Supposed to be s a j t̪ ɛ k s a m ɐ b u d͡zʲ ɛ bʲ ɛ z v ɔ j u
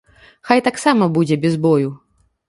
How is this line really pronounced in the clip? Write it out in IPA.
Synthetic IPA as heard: x a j t̪ a k s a m ɐ b u d͡zʲ ɛ bʲ ɛ z b ɔ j u